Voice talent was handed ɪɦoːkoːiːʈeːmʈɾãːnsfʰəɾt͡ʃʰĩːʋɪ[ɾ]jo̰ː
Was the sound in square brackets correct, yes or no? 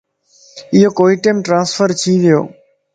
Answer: no